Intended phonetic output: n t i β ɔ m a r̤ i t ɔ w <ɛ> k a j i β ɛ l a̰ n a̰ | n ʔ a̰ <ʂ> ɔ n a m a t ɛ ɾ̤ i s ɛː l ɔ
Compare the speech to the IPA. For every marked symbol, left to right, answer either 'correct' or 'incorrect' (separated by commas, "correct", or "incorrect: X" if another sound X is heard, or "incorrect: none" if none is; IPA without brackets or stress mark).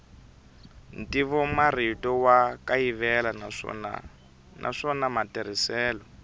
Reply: incorrect: a, correct